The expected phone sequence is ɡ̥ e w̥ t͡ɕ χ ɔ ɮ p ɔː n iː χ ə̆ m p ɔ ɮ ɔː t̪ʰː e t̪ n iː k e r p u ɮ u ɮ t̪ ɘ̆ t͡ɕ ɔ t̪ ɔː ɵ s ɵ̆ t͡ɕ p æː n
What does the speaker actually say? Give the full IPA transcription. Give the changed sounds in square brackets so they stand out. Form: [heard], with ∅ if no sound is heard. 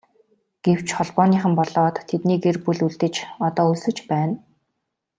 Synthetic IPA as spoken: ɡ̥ e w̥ t͡ɕ χ ɔ ɮ p ɔː n iː χ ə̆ m p ɔ ɮ ɔː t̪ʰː e t̪ n iː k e r p u ɮ u ɮ t̪ ɘ̆ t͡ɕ ɔ t̪ ɔː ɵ s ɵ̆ t͡ɕ p æː n